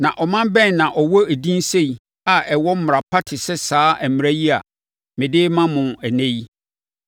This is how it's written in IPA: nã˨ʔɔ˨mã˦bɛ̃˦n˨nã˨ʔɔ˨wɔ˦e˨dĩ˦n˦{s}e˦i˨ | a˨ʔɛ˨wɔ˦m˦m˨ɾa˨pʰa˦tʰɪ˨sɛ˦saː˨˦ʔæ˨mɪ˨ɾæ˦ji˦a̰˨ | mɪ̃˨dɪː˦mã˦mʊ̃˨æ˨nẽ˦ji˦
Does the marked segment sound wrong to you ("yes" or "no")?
no